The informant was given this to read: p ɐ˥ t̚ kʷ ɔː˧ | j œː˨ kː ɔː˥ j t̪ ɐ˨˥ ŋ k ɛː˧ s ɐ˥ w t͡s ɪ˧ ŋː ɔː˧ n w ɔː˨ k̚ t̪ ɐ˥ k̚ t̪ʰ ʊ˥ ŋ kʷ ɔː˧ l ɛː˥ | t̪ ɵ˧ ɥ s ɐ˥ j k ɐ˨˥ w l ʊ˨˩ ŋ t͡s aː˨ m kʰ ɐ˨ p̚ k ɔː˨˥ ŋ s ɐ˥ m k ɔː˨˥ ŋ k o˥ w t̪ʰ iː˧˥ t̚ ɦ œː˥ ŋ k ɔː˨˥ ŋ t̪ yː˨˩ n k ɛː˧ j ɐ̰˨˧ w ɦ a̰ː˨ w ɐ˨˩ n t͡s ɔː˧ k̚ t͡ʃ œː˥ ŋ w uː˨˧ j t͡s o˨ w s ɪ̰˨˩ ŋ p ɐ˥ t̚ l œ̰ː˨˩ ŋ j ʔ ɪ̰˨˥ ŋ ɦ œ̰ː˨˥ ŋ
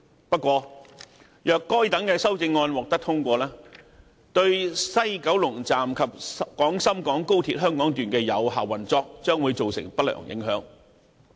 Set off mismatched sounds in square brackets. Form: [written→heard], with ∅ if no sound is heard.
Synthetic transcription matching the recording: p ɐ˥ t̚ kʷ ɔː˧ | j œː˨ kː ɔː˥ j t̪ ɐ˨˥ ŋ k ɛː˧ s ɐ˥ w t͡s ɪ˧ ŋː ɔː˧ n w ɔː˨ k̚ t̪ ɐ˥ k̚ t̪ʰ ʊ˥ ŋ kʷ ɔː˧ l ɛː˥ | t̪ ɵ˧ ɥ s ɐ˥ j k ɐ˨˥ w l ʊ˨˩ ŋ t͡s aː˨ m kʰ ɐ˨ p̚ k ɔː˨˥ ŋ s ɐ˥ m k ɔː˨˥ ŋ k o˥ w t̪ʰ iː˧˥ t̚ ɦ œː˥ ŋ k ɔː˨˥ ŋ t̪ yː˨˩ n k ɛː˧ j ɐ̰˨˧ w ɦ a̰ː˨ w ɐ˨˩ n t͡s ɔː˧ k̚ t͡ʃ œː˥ ŋ w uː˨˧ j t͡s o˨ w s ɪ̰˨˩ ŋ p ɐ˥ t̚ l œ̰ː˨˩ ŋ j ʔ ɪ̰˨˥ ŋ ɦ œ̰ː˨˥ ŋ